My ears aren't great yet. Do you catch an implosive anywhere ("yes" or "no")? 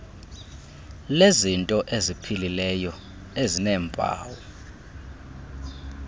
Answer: no